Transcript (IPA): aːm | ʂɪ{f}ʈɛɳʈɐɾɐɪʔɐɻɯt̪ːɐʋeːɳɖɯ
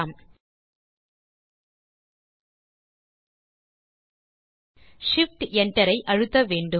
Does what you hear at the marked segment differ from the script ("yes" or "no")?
no